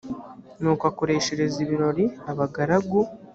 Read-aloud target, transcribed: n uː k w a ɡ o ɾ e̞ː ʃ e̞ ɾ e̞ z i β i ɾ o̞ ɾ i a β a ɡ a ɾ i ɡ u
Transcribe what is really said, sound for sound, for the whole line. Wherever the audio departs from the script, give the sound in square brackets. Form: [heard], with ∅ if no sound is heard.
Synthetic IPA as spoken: n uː k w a [k] o ɾ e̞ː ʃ e̞ ɾ e̞ z i β i ɾ o̞ ɾ i a β a ɡ a ɾ [a] ɡ u